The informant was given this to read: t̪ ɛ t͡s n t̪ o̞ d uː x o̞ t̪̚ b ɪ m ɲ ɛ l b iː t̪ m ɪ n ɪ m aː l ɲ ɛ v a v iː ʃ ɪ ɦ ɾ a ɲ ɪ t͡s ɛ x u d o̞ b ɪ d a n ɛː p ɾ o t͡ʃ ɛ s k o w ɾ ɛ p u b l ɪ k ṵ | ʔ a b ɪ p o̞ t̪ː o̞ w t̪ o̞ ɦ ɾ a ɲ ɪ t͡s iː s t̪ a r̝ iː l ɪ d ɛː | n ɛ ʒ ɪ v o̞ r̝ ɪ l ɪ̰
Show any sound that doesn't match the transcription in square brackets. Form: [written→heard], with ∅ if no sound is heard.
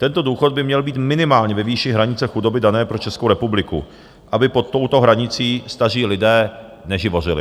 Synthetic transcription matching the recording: t̪ ɛ [t͡s→∅] n t̪ o̞ d uː x o̞ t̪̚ b ɪ m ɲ ɛ l b iː t̪ m ɪ n ɪ m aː l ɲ ɛ v [a→ɛ] v iː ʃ ɪ ɦ ɾ a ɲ ɪ t͡s ɛ x u d o̞ b ɪ d a n ɛː p ɾ o t͡ʃ ɛ s k o w ɾ ɛ p u b l ɪ k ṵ | ʔ a b ɪ p o̞ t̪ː o̞ w t̪ o̞ ɦ ɾ a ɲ ɪ t͡s iː s t̪ a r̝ iː l ɪ d ɛː | n ɛ ʒ ɪ v o̞ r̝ ɪ l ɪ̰